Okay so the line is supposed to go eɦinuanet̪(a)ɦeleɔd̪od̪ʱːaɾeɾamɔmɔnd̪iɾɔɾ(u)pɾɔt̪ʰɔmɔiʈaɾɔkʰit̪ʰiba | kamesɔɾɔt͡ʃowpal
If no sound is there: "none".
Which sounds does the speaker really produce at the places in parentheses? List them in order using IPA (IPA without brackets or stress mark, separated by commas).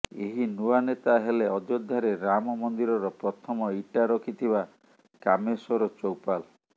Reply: a, ɔ